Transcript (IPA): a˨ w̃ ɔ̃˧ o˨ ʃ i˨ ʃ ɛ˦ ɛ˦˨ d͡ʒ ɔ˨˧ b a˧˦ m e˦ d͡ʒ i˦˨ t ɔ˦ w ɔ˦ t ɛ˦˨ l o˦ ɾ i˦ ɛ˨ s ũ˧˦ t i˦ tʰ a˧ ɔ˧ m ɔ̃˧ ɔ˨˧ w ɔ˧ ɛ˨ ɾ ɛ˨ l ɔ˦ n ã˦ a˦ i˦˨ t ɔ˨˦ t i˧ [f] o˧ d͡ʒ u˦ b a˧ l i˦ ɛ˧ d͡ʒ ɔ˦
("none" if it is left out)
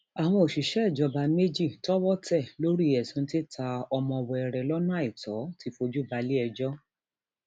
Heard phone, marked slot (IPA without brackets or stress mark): f